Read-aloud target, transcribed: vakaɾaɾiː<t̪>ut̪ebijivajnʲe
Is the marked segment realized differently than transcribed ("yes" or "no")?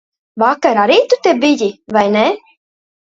no